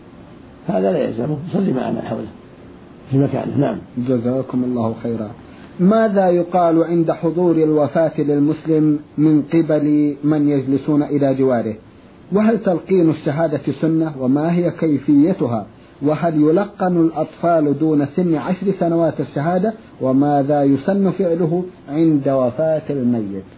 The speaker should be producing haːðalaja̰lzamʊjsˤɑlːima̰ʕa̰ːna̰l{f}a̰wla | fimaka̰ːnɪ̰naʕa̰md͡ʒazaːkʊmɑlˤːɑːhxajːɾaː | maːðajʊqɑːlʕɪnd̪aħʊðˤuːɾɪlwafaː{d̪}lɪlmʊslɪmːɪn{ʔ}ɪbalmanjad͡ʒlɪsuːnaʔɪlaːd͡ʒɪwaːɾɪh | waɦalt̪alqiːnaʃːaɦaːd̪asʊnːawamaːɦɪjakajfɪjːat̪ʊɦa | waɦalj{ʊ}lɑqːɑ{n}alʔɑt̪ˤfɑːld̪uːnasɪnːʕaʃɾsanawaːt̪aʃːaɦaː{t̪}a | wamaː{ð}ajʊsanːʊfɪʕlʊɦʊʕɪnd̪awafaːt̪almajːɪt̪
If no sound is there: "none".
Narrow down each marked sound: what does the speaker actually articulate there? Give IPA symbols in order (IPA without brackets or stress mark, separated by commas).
ħ, t̪, q, ʊ, n, d̪, ð